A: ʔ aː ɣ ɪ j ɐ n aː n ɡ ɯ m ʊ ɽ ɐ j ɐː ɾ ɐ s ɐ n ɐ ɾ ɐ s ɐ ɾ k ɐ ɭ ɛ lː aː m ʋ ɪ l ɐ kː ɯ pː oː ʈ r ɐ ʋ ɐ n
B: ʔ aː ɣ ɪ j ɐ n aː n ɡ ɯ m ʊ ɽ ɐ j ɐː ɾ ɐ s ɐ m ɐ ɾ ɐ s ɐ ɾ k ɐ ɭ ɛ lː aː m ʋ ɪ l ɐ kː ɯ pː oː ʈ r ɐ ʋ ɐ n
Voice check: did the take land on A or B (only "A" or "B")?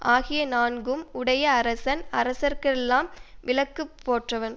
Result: A